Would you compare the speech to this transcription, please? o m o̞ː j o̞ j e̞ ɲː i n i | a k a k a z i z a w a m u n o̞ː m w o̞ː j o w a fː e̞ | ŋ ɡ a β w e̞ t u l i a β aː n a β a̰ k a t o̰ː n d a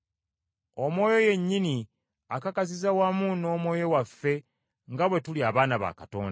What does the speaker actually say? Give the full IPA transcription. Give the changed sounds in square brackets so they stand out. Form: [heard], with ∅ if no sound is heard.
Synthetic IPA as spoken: o m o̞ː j o̞ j e̞ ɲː i n i | a k a k a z i z a w a m u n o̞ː m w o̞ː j o w a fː e̞ | ŋ ɡ a β w e̞ t u l i a β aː n a β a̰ k a t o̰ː n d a